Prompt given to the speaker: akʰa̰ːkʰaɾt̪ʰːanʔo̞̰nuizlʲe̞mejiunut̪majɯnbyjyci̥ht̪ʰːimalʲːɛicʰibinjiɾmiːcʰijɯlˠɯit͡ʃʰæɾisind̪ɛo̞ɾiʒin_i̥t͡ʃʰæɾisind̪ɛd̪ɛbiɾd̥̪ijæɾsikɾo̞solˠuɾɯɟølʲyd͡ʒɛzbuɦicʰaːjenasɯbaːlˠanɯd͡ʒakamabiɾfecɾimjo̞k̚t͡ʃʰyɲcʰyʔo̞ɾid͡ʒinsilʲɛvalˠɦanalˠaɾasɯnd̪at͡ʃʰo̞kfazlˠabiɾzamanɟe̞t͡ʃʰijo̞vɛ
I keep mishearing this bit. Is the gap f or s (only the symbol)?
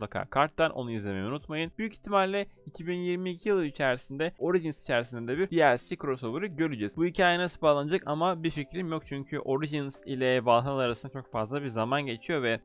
s